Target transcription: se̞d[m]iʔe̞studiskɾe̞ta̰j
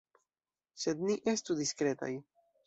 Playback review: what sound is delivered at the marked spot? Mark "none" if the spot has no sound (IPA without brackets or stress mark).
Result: n